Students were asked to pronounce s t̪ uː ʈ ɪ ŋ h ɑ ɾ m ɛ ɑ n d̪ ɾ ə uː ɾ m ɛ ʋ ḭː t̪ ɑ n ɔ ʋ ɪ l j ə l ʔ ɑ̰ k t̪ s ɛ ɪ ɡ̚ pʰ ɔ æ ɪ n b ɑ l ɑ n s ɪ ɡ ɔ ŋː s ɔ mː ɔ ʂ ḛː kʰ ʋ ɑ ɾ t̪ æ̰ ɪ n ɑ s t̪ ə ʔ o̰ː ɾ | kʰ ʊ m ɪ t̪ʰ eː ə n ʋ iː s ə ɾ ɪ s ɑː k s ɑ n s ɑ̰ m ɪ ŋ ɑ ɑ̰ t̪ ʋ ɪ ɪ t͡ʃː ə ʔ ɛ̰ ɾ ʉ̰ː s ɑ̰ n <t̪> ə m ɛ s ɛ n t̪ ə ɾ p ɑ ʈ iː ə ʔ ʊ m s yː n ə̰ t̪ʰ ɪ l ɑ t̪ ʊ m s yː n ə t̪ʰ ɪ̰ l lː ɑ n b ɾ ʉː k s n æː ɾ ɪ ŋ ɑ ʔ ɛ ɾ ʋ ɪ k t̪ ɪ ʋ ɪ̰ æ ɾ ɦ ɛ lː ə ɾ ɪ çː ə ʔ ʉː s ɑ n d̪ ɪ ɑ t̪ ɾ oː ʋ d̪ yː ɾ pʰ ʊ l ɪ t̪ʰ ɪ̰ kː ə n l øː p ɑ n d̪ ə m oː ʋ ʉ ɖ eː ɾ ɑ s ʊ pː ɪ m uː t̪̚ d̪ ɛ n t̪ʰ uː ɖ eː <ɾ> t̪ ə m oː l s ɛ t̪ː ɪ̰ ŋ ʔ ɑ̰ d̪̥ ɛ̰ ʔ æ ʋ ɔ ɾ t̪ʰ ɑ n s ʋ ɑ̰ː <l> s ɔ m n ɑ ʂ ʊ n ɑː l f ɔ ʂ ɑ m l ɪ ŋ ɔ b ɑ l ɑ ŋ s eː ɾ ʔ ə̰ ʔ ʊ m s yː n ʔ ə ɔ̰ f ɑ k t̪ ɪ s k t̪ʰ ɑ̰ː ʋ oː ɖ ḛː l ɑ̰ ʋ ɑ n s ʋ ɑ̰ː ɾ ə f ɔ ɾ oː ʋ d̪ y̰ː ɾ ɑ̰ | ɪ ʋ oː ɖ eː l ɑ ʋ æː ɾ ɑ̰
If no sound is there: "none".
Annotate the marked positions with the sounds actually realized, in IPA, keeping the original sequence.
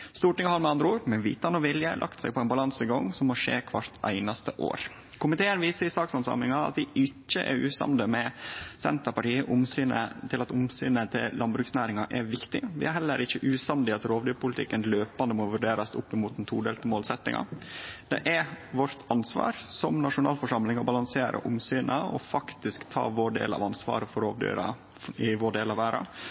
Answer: d̪, l, ɾ

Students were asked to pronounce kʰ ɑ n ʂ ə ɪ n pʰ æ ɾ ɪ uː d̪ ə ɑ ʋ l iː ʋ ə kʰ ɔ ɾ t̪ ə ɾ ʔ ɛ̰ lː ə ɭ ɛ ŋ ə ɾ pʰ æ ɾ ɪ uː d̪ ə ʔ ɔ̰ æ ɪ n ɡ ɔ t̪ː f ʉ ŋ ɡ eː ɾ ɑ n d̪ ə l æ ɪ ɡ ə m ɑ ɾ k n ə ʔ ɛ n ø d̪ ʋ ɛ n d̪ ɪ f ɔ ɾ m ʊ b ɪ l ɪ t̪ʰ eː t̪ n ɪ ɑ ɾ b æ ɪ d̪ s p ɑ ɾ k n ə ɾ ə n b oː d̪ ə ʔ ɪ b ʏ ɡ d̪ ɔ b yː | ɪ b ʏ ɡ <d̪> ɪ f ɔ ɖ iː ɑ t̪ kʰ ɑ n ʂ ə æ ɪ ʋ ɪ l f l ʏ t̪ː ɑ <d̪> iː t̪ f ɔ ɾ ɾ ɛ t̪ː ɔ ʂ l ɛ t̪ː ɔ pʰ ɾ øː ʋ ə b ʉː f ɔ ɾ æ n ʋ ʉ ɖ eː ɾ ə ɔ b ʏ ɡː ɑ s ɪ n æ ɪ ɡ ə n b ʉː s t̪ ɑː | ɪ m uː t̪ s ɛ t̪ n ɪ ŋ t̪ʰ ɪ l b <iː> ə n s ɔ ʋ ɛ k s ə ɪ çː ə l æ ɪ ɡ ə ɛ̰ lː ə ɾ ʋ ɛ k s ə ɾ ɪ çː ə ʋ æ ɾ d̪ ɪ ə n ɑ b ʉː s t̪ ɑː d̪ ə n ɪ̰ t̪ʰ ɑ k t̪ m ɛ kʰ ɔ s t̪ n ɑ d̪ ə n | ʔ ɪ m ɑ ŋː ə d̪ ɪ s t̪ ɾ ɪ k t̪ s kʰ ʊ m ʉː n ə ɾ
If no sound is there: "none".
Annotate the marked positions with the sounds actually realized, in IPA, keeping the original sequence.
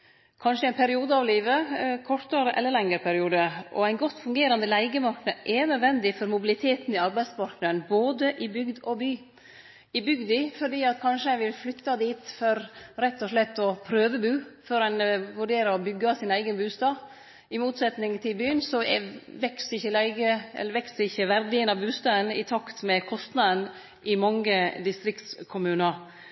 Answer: d̪, d̪, yː

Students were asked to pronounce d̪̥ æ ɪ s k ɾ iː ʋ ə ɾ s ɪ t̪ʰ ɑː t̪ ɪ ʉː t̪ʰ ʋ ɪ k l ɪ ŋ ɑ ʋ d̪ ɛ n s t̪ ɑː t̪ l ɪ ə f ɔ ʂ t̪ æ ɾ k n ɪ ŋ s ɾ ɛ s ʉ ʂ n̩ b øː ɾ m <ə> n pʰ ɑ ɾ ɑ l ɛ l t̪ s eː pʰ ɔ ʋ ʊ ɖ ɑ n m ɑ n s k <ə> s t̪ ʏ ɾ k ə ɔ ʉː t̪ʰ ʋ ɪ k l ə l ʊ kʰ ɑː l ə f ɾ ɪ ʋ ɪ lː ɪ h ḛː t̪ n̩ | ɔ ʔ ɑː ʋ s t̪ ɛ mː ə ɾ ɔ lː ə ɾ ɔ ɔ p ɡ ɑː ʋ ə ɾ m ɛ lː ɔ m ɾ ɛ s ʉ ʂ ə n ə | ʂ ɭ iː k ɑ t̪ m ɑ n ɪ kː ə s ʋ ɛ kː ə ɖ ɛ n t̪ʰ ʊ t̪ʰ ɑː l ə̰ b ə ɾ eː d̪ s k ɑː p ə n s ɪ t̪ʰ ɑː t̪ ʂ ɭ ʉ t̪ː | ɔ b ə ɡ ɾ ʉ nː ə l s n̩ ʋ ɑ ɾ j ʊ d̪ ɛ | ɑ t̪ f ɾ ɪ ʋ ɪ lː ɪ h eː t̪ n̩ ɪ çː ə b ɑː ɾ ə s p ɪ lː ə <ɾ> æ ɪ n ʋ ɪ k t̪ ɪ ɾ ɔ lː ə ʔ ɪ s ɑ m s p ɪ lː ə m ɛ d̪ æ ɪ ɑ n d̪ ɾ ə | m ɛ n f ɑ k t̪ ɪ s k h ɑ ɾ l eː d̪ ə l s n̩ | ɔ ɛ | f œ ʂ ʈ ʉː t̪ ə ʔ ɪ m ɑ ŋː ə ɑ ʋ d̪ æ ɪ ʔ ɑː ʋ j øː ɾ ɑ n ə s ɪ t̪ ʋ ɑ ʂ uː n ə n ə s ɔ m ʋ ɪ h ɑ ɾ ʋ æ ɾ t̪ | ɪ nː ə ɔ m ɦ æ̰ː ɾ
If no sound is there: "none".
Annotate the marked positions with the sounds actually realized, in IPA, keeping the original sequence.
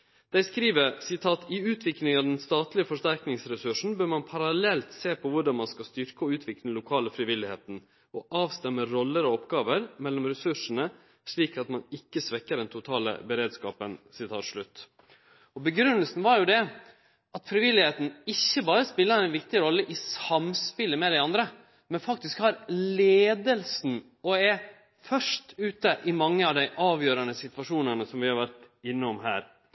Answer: ɑ, ɑ, ɾ

